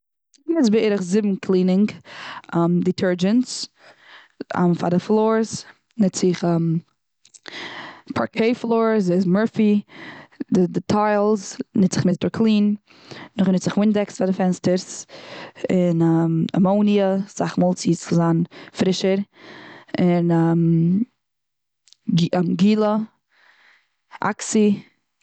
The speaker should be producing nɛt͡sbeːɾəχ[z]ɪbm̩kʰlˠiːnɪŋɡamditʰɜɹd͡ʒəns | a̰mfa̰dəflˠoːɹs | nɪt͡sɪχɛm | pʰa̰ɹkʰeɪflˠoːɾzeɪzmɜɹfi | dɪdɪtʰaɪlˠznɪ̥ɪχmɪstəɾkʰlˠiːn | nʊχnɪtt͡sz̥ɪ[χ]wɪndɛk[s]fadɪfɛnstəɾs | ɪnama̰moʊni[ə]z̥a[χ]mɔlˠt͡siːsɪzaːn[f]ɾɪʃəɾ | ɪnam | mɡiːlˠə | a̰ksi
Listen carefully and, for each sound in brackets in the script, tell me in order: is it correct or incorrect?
correct, correct, correct, correct, correct, correct

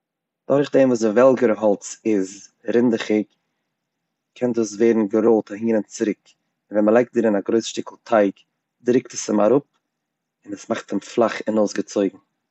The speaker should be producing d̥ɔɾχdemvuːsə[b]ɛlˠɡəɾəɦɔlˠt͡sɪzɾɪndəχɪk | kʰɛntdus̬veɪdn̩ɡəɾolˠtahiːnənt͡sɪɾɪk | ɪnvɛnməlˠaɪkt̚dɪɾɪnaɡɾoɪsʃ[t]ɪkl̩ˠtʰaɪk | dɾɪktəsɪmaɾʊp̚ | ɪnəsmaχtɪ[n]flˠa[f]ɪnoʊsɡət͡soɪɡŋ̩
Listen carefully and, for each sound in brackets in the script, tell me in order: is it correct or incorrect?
incorrect: v, correct, incorrect: m, incorrect: χ

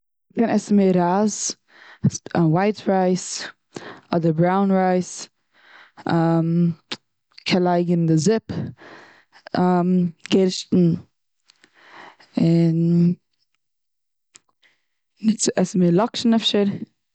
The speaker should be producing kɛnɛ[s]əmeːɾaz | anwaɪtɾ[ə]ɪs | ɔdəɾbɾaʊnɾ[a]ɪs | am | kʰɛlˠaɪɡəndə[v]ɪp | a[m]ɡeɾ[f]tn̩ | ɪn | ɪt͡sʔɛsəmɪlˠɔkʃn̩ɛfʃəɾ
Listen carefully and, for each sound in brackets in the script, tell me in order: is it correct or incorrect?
correct, incorrect: a, correct, incorrect: z, correct, incorrect: ʃ

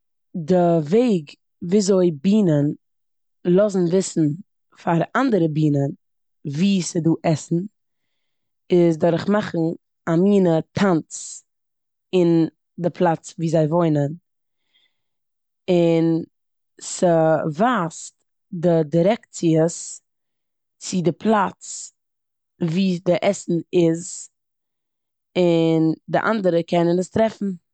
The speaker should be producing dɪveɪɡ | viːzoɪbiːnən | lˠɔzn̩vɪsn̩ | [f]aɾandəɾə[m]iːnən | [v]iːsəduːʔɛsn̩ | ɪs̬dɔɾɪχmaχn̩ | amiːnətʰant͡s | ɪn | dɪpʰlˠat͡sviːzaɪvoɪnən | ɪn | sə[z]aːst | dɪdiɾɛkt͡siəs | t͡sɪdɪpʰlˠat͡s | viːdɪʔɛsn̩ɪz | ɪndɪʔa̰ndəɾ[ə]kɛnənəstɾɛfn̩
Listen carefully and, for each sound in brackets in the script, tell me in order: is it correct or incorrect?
correct, incorrect: b, correct, incorrect: v, correct

